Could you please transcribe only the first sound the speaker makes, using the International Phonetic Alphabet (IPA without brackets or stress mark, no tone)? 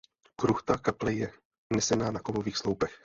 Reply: k